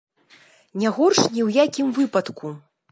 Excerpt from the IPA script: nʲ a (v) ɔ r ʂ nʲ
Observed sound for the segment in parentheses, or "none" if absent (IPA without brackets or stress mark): ɣ